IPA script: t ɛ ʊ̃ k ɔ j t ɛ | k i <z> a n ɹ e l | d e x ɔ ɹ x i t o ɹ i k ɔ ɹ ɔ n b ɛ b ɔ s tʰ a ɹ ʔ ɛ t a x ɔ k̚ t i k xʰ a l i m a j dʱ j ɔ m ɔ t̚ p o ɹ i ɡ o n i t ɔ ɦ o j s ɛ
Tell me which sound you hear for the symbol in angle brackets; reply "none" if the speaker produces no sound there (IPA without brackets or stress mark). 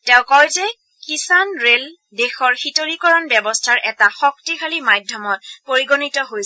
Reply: s